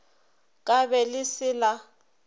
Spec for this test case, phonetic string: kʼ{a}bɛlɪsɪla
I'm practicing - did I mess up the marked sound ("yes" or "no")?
no